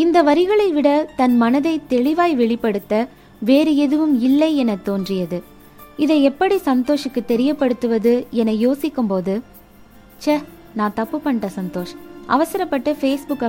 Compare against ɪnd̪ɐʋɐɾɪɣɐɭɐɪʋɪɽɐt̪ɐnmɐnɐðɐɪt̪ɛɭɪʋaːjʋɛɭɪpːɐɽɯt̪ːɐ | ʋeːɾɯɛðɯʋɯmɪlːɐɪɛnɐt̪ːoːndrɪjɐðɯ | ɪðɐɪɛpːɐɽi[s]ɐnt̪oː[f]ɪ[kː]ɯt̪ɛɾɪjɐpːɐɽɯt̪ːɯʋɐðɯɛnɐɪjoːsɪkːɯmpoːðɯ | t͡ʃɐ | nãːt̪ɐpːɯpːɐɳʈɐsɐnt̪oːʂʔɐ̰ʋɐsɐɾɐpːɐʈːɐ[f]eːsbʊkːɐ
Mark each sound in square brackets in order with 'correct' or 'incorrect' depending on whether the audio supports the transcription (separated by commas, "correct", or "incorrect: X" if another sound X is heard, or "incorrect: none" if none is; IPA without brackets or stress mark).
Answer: correct, incorrect: ʂ, correct, correct